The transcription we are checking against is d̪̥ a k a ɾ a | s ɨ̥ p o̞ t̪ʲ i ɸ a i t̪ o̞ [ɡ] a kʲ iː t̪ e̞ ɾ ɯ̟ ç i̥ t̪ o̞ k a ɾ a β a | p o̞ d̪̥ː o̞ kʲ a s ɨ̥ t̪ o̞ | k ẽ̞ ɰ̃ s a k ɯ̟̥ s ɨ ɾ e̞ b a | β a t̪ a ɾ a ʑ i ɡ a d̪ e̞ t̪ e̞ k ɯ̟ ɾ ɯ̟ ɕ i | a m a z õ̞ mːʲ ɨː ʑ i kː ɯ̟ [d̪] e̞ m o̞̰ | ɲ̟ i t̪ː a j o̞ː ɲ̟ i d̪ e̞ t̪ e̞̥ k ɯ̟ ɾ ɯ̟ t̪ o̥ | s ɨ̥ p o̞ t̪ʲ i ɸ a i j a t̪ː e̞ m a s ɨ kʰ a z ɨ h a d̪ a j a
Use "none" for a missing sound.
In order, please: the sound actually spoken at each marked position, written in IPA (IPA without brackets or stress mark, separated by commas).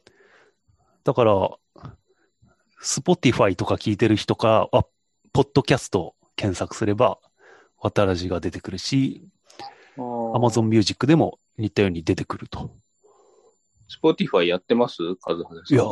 k, d̪